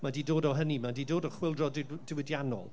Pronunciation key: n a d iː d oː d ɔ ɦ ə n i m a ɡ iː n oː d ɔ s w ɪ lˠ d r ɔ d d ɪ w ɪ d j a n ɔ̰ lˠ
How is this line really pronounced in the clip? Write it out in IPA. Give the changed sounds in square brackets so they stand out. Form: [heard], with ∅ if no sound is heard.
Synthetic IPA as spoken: [m] a d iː d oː d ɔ ɦ ə n i m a [d] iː [d] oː d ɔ [χ] w ɪ lˠ d r ɔ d d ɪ w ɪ d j a n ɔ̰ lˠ